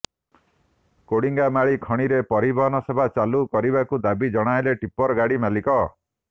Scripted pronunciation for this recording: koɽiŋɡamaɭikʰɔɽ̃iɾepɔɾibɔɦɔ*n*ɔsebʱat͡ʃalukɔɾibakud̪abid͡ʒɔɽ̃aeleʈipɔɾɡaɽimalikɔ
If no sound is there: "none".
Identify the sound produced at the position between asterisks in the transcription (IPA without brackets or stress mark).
n